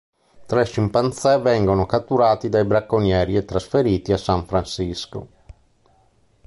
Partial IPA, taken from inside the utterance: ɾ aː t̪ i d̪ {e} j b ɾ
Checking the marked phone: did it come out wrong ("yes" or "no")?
yes